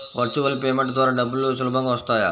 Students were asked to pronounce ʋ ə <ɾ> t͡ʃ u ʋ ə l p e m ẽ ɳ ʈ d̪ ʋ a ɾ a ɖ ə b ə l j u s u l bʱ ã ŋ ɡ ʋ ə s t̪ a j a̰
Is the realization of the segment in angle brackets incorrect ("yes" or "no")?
no